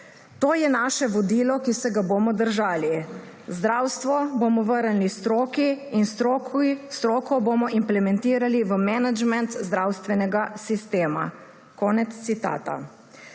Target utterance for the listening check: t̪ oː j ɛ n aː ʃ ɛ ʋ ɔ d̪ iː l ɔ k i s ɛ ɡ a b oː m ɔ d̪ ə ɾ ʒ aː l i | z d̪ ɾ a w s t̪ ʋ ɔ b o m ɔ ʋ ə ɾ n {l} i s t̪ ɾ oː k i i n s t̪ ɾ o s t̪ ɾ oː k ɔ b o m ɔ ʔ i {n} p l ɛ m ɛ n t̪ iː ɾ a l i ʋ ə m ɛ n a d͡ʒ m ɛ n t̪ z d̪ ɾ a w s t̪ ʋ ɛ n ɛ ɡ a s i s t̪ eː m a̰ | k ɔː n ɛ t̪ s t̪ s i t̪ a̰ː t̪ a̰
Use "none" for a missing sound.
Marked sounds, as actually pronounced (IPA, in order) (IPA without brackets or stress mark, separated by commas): l, m